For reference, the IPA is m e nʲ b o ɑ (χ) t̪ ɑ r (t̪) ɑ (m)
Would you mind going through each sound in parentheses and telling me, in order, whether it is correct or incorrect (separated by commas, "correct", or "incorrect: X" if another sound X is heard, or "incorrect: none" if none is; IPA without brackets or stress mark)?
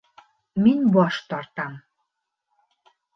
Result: incorrect: ʃ, correct, correct